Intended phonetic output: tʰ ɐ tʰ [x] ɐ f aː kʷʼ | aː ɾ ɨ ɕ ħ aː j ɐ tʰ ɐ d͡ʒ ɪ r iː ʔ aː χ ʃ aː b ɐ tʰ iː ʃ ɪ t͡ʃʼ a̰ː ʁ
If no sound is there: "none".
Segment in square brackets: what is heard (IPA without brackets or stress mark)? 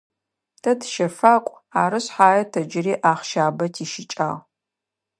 ʃ